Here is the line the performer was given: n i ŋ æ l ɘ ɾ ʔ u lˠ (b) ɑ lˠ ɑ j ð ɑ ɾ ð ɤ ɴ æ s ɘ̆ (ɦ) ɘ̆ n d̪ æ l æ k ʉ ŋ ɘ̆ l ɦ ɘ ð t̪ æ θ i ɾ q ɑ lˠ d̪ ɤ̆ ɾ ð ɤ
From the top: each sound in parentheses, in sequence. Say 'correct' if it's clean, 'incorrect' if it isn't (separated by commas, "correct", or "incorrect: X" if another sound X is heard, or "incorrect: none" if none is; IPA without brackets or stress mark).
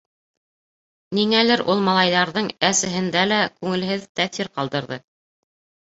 incorrect: m, correct